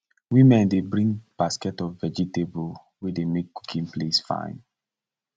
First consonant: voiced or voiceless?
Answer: voiced